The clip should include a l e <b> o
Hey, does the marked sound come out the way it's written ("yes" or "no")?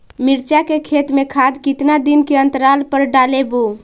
yes